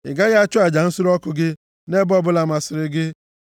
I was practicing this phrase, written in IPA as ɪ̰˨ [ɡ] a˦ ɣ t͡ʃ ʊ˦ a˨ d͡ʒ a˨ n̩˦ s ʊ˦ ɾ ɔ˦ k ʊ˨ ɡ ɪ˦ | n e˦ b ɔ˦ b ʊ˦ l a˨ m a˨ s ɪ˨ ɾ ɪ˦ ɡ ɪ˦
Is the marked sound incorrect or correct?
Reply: correct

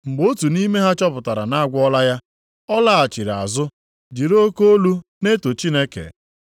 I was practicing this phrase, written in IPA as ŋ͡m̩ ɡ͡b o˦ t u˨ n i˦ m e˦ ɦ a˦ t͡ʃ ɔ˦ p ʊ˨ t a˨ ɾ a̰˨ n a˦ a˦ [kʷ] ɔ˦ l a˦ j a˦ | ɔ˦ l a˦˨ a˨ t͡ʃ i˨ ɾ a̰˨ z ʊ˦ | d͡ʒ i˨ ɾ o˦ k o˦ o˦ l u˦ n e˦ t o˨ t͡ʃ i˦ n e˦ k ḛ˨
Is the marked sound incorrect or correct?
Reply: incorrect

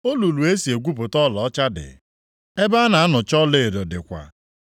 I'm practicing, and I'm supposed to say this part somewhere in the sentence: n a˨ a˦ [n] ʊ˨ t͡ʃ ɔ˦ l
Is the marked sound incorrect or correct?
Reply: correct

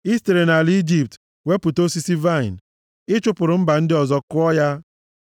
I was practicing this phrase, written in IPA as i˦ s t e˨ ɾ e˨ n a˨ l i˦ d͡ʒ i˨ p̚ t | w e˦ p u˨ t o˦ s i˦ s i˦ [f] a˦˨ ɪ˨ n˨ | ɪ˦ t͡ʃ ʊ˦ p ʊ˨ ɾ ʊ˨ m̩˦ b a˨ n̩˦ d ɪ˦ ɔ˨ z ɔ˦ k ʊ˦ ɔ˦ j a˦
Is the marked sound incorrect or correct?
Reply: incorrect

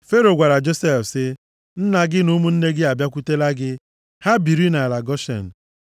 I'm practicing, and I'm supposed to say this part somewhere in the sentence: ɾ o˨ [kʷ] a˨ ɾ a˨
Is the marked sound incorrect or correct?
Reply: incorrect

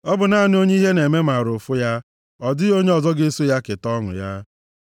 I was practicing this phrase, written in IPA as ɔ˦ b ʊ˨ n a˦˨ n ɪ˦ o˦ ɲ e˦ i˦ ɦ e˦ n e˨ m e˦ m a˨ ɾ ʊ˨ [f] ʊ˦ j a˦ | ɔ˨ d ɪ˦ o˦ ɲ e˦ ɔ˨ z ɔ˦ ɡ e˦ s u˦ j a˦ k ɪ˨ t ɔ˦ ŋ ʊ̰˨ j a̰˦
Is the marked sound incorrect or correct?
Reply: correct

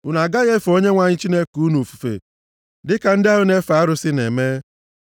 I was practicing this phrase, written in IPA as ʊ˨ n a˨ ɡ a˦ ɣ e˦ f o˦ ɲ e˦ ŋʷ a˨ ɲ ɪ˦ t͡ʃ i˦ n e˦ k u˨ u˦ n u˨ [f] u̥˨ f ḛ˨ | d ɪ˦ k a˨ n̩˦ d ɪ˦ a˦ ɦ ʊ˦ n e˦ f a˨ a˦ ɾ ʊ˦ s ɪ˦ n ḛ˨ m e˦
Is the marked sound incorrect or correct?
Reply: correct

